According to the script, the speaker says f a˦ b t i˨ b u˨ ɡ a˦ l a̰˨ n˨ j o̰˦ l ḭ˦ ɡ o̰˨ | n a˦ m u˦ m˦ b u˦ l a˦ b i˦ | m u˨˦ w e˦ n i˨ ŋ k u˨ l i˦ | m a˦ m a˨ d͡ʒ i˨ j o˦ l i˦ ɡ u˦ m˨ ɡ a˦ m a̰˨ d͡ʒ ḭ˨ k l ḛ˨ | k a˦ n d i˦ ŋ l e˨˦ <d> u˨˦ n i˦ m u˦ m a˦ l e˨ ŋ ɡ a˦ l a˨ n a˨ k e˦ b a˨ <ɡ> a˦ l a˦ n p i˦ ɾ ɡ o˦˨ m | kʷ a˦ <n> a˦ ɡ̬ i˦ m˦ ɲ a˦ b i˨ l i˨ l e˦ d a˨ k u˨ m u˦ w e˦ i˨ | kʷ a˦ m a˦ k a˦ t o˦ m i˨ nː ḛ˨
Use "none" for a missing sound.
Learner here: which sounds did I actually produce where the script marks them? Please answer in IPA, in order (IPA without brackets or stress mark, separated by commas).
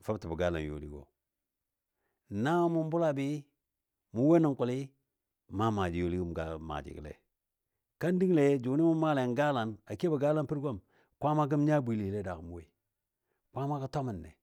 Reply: d͡ʒ, ɡ, m